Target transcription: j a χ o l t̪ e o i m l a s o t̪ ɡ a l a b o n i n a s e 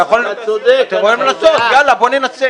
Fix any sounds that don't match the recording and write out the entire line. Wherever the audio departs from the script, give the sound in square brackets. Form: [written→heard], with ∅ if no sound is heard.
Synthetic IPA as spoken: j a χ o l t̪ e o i m l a s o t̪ ɡ a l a b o n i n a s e